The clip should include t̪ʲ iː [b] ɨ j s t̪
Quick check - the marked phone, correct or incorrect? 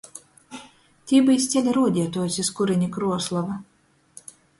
correct